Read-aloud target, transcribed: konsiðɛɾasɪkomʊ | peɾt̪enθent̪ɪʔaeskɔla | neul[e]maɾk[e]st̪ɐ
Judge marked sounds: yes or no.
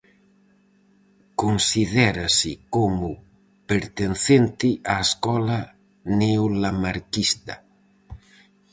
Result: no, no

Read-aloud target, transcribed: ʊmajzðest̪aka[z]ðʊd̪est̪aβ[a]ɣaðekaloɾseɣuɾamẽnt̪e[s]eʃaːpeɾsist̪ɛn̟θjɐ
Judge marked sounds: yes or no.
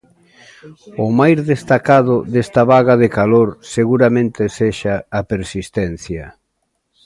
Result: no, yes, yes

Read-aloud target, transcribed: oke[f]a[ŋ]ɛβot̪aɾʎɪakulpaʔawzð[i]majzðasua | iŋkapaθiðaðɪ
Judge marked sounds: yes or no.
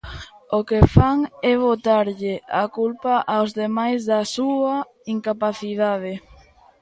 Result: yes, yes, no

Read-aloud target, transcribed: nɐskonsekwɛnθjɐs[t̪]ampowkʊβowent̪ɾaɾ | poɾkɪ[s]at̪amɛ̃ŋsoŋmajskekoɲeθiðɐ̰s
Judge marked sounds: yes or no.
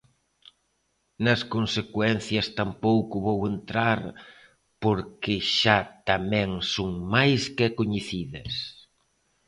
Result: yes, no

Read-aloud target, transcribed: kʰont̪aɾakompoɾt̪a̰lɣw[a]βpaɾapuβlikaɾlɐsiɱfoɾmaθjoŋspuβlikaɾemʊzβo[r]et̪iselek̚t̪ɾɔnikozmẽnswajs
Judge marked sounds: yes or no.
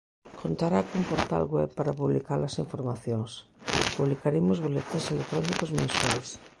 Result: no, no

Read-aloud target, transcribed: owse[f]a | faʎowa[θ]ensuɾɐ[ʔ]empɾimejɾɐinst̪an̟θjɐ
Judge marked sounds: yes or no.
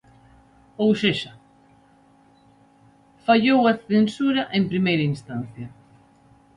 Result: no, yes, yes

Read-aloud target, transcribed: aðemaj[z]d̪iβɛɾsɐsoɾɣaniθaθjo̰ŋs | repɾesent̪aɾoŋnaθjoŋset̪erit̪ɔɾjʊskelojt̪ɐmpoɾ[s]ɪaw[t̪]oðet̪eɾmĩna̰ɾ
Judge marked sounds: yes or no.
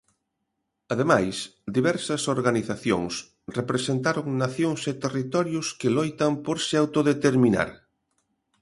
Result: no, yes, yes

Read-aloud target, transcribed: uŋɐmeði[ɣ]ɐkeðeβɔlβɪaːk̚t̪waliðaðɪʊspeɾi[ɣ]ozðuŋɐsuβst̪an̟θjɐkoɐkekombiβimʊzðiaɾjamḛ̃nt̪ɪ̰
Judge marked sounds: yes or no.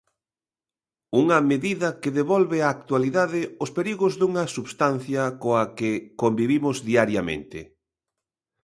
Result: no, yes

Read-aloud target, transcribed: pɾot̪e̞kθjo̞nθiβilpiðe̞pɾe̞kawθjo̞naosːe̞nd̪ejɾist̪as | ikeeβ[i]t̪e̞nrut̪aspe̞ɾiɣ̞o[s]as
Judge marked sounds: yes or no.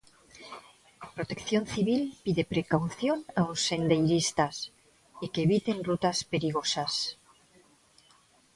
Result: yes, yes

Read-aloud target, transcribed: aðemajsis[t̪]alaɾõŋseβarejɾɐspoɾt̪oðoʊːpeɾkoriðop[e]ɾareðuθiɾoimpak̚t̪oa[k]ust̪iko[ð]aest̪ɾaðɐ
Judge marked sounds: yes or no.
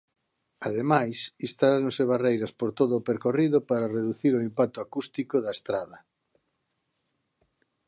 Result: yes, no, yes, yes

